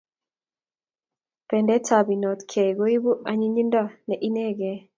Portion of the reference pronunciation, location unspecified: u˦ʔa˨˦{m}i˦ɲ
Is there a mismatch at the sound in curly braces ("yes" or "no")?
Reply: yes